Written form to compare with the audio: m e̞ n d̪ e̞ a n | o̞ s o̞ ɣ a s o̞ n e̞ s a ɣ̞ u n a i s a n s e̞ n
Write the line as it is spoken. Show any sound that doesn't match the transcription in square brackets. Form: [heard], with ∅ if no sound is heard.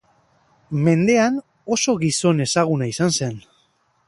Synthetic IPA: m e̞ n d̪ e̞ a n | o̞ s o̞ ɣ [i] s o̞ n e̞ s a ɣ̞ u n a i s a n s e̞ n